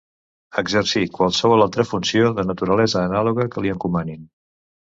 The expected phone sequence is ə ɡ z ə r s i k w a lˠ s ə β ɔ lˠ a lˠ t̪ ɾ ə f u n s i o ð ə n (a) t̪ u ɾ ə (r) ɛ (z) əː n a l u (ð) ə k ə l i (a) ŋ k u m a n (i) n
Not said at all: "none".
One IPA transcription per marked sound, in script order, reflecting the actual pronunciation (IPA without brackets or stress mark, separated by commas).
ə, l, z, ɣ, ə, i